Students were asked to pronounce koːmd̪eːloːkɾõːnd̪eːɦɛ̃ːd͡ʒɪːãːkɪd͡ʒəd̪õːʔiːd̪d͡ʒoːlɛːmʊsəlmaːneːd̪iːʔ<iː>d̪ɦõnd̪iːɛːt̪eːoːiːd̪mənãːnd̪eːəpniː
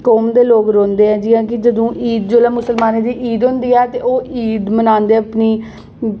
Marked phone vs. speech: correct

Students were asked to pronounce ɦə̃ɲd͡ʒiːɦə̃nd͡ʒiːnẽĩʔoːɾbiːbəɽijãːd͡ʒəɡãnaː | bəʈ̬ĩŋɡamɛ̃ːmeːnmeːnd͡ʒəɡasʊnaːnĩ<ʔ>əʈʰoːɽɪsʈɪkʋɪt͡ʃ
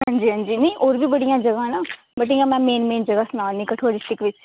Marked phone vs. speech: incorrect: k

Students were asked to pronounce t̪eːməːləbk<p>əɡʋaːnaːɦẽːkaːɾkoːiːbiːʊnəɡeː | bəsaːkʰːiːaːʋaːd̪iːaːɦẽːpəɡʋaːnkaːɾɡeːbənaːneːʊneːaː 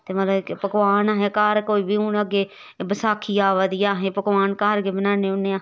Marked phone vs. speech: correct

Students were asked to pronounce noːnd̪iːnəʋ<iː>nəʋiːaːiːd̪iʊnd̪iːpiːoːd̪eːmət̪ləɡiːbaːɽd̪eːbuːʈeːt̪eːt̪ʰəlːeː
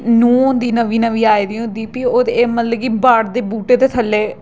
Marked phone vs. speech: correct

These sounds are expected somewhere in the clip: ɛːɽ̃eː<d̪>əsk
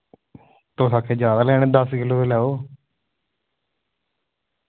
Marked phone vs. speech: correct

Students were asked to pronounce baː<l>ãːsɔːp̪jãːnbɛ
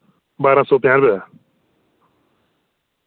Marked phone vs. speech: incorrect: ɾ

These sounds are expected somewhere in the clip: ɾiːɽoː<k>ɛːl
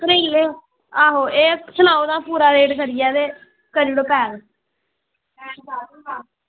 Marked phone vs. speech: incorrect: p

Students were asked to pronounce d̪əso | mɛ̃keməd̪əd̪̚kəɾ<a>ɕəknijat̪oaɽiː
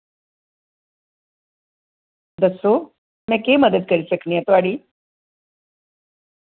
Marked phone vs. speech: incorrect: i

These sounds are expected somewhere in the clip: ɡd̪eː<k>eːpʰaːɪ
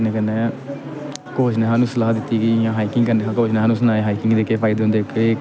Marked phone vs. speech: correct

